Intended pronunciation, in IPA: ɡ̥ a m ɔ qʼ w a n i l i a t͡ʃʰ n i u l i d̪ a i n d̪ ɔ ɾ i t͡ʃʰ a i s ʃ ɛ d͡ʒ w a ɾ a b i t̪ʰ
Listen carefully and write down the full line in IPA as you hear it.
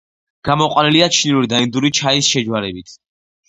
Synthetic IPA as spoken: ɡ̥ a m ɔ qʼ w a n i l i a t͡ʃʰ n i u ɾ i d̪ a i n d̪ u ɾ i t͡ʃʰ a i s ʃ ɛ d͡ʒ w a ɾ ɛ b i t̪ʰ